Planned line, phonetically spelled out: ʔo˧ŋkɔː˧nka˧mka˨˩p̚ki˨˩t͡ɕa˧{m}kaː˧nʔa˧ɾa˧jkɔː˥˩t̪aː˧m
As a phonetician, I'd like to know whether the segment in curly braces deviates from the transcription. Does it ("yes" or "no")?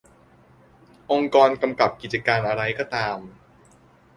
yes